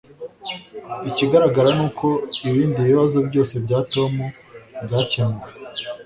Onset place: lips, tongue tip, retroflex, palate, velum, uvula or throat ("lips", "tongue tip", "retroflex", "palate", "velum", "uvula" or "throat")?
palate